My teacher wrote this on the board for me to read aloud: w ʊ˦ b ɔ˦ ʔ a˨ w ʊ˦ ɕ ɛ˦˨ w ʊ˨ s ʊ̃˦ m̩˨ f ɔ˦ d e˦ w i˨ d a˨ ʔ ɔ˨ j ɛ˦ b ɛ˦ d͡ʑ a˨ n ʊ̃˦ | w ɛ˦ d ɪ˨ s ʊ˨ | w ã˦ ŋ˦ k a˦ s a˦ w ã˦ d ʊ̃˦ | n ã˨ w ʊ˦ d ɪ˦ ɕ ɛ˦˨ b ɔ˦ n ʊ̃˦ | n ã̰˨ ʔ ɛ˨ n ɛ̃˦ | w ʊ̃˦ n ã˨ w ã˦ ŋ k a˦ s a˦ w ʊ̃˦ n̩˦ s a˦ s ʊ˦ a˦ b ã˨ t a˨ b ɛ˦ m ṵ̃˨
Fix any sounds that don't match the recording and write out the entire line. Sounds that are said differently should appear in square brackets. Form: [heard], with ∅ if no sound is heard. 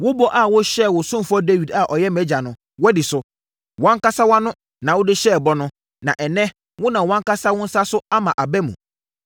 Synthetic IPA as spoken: w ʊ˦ b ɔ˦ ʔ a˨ w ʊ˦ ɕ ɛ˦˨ w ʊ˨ s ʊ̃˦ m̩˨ f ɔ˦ d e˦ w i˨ d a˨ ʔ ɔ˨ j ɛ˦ [m] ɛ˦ d͡ʑ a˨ n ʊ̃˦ | w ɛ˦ d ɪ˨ s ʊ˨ | w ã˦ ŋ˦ k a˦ s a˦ w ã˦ [n] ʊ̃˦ | n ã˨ w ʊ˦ d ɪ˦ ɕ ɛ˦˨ b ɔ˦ n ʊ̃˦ | n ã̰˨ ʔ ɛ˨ n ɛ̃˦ | w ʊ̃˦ n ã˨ w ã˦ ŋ k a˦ s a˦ w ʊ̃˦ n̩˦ s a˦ s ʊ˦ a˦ [m] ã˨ [ʔ] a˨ b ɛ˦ m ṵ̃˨